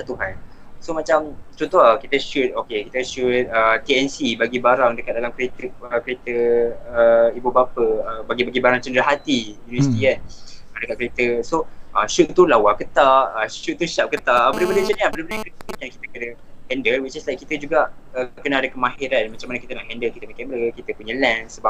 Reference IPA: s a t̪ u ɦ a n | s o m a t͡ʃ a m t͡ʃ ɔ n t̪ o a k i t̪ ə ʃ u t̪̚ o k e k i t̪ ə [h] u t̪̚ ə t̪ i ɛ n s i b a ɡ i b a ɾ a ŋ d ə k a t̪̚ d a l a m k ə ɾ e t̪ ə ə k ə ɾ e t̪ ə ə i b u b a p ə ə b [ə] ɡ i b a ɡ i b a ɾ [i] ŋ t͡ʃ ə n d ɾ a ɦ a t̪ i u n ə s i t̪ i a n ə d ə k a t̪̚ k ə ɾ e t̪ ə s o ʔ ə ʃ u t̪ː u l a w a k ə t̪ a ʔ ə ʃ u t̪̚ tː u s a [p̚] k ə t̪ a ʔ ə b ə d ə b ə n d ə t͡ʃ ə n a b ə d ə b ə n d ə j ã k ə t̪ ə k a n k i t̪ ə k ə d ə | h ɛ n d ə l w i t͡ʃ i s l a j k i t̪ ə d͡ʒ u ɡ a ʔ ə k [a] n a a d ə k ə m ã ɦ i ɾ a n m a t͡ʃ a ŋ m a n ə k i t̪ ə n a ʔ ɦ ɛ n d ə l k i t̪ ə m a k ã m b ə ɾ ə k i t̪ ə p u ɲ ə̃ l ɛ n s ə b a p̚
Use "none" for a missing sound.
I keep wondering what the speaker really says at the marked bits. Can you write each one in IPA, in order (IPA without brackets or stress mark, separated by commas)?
ʃ, a, a, p̚, ə